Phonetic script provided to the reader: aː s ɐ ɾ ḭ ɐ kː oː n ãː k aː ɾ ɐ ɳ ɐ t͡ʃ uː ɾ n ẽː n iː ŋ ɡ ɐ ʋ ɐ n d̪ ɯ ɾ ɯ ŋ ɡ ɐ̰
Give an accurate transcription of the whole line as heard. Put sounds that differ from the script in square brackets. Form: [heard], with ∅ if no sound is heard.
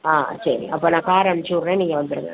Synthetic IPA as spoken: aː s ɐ ɾ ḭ ɐ [pː] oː n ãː k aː ɾ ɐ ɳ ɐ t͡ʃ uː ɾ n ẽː n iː ŋ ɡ ɐ ʋ ɐ n d̪ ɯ ɾ ɯ ŋ ɡ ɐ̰